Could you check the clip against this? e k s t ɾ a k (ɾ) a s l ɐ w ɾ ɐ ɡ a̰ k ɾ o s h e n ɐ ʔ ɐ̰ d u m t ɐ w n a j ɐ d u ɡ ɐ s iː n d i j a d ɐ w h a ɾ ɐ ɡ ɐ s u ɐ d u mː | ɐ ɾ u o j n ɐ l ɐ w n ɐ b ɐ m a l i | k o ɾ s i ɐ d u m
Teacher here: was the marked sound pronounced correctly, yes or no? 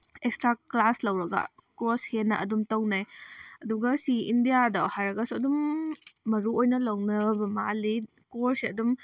no